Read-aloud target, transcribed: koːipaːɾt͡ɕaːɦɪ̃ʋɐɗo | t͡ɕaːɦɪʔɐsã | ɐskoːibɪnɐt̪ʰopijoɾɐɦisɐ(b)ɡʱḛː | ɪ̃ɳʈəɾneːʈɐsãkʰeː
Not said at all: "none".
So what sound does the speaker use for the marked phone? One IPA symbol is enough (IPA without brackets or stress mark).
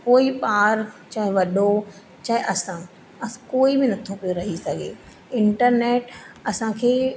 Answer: none